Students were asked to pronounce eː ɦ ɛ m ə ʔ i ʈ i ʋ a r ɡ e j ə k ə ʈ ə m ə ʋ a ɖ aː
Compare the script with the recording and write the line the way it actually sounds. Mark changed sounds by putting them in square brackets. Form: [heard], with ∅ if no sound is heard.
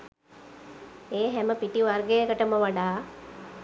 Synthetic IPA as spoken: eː ɦ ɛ m ə [p] i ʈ i ʋ a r ɡ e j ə k ə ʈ ə m ə ʋ a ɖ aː

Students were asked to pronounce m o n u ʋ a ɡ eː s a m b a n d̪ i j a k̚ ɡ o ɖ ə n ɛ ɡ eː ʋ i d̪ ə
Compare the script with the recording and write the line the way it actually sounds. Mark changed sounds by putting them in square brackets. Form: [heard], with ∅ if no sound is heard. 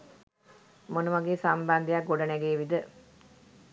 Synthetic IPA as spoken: m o n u ʋ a ɡ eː s a m b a n d̪ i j a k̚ ɡ o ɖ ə n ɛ ɡ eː ʋ i d̪ ə

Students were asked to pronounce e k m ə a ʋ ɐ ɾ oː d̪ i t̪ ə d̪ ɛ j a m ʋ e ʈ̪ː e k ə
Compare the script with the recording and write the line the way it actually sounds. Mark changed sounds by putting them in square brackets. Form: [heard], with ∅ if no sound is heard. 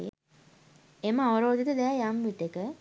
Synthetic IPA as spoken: e [∅] m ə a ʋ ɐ ɾ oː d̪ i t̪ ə d̪ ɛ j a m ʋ [i] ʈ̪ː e k ə

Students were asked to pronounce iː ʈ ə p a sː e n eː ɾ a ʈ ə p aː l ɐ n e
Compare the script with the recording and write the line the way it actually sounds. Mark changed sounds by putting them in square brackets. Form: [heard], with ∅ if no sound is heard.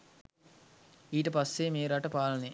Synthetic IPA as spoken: iː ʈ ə p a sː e [m] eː ɾ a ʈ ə p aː l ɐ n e

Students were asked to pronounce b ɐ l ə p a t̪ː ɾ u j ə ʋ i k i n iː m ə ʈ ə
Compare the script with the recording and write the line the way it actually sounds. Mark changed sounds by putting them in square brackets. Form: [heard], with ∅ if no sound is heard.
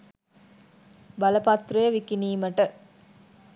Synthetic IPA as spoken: b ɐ l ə p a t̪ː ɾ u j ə ʋ i k i n iː m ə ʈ ə

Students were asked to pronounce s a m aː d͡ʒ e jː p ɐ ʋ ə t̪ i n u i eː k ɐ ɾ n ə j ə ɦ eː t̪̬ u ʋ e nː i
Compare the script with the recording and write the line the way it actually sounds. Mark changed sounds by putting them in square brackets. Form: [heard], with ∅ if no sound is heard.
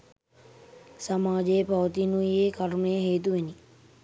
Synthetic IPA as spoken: s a m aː d͡ʒ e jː p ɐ ʋ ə t̪ i n u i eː k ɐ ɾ [m] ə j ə ɦ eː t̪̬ u ʋ e [n] i

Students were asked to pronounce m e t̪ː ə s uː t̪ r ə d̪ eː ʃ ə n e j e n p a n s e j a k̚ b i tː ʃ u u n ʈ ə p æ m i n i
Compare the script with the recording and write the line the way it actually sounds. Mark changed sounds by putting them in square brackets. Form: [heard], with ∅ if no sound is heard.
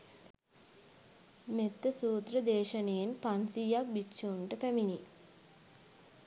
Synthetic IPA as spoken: m e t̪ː ə s uː t̪ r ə d̪ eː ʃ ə n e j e n p a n s [i] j a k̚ b i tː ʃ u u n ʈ ə p æ m i n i

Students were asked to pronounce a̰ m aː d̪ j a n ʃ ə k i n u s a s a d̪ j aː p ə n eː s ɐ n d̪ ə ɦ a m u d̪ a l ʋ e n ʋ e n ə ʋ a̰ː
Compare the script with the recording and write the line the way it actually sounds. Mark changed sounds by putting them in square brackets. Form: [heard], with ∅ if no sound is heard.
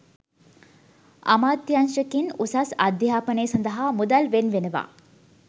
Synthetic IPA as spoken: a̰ m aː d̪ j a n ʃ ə k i n u s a s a d̪ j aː p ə n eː s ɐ n d̪ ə ɦ a m u d̪ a l ʋ e n ʋ e n ə ʋ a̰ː

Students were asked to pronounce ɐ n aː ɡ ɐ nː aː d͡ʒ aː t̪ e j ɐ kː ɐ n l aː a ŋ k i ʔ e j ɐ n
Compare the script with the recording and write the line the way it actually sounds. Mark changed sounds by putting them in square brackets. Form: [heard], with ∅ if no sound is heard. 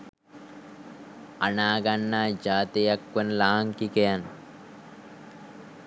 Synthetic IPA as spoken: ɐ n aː ɡ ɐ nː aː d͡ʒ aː t̪ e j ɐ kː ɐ n l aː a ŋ k i [k] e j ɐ n

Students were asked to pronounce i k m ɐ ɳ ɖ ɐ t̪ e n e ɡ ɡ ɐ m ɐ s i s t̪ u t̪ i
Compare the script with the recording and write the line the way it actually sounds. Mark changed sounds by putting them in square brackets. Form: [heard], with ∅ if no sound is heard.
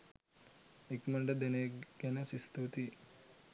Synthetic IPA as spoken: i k m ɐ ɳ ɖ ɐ [d̪] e n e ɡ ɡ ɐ [n] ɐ s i s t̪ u t̪ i

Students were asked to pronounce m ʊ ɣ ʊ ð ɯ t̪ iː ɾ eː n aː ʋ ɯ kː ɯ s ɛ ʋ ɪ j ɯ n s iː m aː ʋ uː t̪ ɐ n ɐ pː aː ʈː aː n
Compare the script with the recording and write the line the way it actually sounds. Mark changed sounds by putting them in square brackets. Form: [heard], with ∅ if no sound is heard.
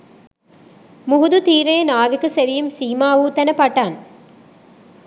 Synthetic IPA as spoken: m ʊ ɣ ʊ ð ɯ t̪ iː ɾ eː n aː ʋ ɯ kː ɯ s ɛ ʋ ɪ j ɯ [m] s iː m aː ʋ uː t̪ ɐ n ɐ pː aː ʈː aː n

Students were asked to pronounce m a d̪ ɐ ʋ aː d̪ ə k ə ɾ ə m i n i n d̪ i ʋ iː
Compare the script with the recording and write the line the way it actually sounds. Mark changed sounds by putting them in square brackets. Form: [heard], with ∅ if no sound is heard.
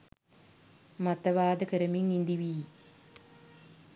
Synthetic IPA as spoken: m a [t̪] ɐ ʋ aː d̪ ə k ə ɾ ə m i [ŋ] i n d̪ i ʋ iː

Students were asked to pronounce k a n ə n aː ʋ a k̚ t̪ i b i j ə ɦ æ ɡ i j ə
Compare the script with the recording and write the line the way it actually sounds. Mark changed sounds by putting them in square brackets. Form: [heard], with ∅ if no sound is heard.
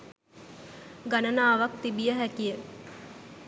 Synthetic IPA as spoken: [ɡ] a n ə n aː ʋ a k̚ t̪ i b i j ə ɦ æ [k] i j ə

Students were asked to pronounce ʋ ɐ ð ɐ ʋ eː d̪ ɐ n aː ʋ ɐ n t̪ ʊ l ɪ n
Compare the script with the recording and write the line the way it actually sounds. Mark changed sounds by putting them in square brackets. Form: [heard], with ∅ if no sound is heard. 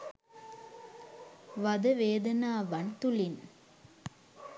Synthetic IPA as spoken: ʋ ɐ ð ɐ ʋ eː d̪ ɐ n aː ʋ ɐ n t̪ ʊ l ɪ n

